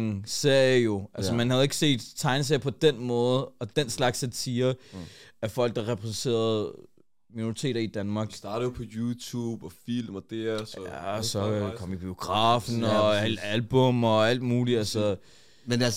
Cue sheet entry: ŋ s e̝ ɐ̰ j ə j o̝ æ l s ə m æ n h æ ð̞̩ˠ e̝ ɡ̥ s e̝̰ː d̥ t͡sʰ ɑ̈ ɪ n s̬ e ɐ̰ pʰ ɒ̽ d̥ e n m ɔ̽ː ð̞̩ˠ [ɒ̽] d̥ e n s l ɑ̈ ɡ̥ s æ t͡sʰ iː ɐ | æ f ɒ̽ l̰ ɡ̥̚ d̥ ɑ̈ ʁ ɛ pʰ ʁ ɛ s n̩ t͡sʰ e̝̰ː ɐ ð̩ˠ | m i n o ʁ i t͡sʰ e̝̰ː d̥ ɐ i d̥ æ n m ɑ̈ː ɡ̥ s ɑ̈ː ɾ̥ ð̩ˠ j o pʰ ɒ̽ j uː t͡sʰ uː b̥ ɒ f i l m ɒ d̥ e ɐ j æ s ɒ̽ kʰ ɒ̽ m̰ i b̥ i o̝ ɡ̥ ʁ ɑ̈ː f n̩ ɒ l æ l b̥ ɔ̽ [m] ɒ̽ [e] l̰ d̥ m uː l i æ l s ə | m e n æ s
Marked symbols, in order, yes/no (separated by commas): yes, yes, no